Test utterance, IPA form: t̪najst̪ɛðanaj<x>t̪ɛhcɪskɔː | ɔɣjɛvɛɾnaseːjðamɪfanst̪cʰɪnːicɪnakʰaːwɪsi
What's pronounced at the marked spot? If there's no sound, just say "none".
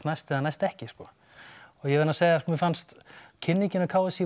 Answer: s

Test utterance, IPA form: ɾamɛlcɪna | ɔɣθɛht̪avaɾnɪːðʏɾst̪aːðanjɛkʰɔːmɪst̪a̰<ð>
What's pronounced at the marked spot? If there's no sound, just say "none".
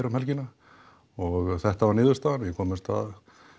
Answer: ð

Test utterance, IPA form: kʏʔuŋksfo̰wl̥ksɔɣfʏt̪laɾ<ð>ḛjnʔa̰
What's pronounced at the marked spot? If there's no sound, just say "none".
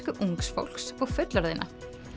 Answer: ð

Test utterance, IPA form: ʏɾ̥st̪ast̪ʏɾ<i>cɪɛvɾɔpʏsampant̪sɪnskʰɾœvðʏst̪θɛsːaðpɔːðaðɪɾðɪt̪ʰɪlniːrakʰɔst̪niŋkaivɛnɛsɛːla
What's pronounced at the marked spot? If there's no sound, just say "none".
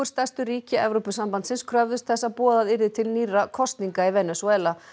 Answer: iː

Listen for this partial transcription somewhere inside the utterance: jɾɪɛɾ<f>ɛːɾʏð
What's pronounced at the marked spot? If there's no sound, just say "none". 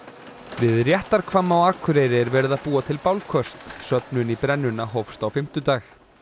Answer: v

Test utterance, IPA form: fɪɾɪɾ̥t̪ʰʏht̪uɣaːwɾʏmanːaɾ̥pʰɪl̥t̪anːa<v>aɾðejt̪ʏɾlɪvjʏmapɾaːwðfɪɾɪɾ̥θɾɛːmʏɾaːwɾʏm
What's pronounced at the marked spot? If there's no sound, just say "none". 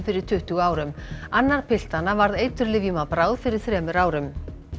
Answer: v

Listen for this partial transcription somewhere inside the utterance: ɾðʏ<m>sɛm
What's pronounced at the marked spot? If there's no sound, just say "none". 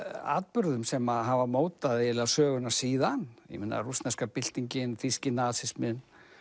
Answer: m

